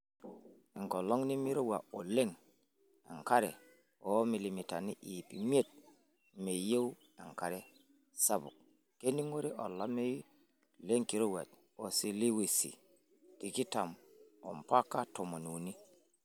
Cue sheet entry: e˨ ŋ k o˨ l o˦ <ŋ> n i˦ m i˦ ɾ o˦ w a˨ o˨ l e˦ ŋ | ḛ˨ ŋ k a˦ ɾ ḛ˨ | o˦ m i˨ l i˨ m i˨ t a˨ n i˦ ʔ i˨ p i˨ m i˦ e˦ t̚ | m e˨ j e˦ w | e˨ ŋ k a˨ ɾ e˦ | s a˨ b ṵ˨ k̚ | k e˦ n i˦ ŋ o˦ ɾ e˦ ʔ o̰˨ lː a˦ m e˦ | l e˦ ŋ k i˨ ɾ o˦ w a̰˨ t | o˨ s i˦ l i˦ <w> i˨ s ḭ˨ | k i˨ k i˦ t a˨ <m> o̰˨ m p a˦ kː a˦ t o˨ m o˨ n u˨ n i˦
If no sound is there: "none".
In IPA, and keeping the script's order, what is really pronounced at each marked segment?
ŋ, w, m

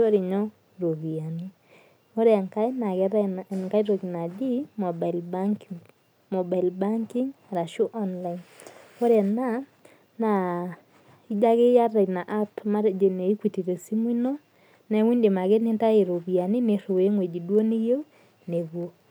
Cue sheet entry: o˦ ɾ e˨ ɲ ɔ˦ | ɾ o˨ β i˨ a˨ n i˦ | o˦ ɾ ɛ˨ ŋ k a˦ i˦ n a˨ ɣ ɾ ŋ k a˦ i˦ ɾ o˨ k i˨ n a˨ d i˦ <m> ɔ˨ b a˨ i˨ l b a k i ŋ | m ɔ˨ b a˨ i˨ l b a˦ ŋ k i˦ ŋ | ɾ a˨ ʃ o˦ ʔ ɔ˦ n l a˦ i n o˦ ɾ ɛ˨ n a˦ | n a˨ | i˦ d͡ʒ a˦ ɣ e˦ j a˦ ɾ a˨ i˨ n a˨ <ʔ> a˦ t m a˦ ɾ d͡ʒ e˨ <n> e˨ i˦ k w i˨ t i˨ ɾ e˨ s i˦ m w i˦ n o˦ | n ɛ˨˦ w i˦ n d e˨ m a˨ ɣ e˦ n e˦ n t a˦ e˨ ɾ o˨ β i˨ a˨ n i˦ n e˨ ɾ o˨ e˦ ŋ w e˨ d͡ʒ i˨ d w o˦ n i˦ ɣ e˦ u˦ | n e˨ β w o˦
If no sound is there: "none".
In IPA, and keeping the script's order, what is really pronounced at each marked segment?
m, ʔ, n

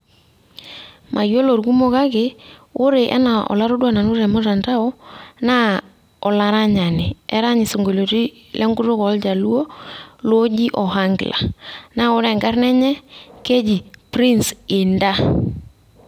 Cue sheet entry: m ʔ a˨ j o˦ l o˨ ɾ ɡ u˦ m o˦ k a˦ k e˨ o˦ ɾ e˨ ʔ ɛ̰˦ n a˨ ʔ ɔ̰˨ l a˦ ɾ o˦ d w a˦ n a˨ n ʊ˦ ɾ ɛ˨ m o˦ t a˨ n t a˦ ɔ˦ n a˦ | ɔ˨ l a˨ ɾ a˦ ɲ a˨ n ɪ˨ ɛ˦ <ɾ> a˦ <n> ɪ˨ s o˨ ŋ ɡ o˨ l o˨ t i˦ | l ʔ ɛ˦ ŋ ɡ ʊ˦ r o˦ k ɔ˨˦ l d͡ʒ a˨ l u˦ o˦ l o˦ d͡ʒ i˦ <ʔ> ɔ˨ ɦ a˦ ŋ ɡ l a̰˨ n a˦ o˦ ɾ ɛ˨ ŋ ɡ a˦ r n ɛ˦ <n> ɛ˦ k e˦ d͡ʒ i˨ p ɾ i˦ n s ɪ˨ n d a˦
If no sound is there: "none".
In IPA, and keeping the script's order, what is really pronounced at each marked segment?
ɾ, ɲ, ʔ, ɲ

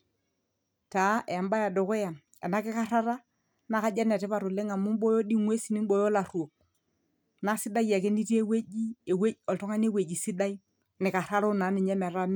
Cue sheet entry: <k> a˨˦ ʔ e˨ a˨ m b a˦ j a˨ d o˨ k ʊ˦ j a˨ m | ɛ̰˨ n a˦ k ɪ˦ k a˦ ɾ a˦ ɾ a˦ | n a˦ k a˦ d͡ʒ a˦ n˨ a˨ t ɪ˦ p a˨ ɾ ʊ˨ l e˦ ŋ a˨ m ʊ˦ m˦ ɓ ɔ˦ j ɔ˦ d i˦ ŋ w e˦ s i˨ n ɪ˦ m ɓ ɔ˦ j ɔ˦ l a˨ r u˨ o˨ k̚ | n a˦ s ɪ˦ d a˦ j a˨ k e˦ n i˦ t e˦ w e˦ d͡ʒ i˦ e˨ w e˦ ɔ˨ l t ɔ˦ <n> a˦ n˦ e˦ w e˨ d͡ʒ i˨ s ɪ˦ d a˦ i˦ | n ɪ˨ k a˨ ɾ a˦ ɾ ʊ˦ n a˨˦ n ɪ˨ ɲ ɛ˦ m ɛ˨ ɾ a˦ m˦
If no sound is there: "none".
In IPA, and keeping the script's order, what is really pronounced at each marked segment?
t, ŋ

